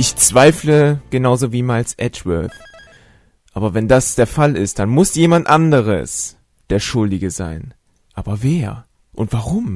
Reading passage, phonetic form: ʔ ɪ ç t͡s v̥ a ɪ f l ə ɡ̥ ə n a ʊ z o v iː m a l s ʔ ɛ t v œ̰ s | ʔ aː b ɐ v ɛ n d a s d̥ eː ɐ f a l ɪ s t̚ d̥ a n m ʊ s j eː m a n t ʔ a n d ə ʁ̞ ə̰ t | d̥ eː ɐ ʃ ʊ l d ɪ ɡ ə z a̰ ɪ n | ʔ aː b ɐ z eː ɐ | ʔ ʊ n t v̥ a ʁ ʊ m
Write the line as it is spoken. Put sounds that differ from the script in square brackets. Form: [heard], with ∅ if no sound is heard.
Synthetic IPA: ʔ ɪ ç t͡s v̥ a ɪ f l ə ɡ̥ ə n a ʊ z o v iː m a l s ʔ ɛ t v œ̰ [θ] | ʔ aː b ɐ v ɛ n d a s d̥ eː ɐ f a l ɪ s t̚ d̥ a n m ʊ s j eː m a n t ʔ a n d ə ʁ̞ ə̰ [s] | d̥ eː ɐ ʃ ʊ l d ɪ ɡ ə z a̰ ɪ n | ʔ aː b ɐ [v] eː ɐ | ʔ ʊ n t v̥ a ʁ ʊ m